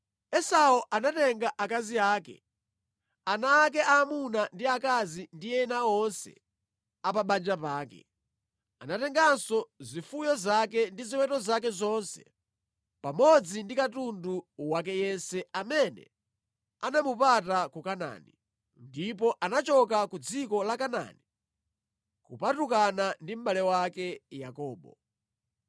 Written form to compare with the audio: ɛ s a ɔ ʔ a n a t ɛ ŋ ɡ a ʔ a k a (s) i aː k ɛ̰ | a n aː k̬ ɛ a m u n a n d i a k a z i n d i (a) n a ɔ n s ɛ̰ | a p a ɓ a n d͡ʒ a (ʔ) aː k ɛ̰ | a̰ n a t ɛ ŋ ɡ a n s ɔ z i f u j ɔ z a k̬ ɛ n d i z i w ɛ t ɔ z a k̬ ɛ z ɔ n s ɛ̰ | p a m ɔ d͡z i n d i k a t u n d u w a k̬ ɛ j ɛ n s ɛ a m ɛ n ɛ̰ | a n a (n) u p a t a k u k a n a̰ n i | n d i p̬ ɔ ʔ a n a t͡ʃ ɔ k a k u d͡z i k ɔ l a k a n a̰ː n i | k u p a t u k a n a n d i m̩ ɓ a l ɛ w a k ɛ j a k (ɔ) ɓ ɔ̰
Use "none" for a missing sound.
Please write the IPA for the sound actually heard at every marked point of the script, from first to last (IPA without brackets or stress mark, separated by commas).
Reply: z, ɛ, p, m, ɔː